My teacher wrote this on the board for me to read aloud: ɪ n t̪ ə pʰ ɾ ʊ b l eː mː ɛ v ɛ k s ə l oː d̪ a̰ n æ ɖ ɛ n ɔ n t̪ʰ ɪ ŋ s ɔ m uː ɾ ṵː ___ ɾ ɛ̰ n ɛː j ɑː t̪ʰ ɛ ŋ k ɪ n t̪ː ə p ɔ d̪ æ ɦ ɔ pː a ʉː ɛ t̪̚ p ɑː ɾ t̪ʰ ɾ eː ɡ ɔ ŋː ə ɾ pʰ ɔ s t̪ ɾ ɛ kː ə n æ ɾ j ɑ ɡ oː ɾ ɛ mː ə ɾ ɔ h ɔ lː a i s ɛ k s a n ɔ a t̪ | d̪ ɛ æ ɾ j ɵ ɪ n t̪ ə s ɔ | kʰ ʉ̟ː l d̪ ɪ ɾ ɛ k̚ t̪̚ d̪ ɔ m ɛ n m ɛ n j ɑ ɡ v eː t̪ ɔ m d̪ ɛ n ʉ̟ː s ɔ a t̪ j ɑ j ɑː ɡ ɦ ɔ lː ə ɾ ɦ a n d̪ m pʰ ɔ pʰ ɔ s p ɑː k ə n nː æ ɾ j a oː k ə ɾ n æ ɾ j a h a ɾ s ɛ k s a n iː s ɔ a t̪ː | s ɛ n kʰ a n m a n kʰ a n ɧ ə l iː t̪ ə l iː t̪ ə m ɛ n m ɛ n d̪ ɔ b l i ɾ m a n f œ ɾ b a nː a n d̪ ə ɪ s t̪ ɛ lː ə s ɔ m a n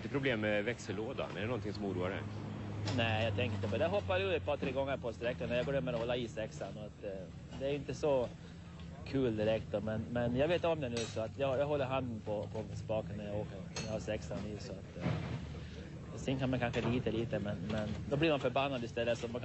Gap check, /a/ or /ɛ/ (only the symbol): a